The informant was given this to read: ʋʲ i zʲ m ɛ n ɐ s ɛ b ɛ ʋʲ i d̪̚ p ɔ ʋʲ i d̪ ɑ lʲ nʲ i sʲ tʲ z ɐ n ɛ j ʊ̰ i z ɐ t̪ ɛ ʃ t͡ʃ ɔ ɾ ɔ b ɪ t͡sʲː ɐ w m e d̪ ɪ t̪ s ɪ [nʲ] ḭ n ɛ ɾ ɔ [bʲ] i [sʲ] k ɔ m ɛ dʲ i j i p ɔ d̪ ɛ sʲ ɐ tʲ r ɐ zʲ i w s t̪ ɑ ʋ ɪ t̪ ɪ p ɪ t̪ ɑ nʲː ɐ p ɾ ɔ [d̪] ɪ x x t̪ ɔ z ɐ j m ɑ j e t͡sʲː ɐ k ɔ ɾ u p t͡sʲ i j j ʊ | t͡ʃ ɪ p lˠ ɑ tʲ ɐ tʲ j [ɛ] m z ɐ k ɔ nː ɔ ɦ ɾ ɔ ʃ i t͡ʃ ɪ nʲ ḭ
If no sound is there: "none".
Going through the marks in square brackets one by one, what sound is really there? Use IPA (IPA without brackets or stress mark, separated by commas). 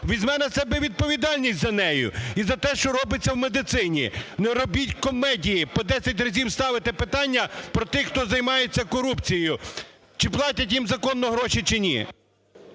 nʲ, bʲ, tʲ, t̪, i